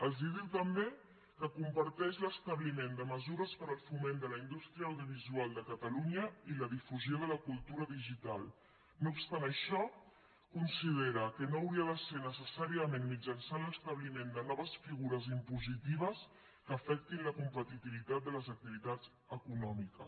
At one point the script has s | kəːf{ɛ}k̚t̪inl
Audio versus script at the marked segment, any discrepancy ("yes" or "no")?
no